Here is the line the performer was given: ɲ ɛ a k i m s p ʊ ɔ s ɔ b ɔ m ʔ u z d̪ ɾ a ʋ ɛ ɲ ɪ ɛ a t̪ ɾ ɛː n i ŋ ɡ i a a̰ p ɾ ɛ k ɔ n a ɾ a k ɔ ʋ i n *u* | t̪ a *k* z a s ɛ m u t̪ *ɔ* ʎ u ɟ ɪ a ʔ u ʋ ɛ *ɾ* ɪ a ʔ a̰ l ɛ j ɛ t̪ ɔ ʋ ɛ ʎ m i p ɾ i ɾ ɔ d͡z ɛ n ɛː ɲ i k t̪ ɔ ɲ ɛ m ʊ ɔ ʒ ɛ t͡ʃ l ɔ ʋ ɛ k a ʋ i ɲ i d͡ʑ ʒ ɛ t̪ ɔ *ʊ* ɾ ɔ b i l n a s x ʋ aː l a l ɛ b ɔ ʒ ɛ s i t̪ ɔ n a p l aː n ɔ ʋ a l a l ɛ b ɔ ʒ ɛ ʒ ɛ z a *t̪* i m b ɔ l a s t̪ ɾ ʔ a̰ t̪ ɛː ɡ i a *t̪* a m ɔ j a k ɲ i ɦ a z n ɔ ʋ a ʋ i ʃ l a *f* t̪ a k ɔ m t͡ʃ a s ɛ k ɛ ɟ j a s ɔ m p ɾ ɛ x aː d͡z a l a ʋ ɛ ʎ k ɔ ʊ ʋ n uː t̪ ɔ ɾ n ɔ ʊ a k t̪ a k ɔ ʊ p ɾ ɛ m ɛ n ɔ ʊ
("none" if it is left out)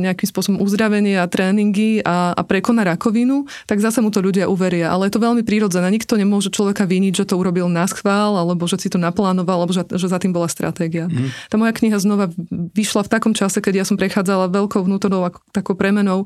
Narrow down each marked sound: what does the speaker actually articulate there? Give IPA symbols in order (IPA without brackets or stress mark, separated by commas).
u, ɡ, ɔ, ɾ, u, t̪, t̪, f